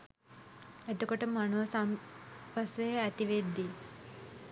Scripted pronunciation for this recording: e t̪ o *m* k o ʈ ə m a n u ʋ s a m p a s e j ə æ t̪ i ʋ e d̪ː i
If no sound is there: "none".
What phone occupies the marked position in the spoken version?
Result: none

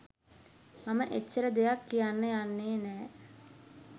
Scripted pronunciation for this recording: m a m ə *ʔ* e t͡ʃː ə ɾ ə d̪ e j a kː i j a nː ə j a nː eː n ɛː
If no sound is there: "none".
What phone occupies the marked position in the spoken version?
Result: ʔ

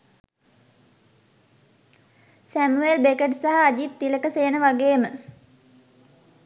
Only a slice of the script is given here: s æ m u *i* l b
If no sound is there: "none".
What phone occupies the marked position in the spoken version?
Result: e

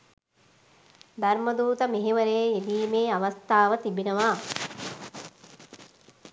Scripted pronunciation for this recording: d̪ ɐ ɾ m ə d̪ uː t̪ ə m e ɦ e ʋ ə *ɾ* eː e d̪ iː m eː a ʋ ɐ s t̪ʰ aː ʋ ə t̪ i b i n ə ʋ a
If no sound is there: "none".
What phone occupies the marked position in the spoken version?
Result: ɾ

